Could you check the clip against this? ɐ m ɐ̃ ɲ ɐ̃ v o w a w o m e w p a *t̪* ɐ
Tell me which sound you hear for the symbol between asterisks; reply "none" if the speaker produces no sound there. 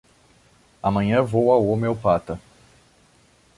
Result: t̪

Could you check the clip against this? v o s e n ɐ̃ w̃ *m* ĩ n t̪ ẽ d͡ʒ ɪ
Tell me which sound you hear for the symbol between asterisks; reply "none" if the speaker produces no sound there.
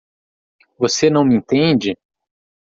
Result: m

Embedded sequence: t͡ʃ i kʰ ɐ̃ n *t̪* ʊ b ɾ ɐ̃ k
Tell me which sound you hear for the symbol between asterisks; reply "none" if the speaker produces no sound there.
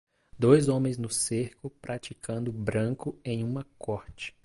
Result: d̪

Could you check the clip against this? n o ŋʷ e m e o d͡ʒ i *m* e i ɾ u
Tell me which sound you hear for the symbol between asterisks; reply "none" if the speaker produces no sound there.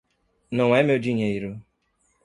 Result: ɲ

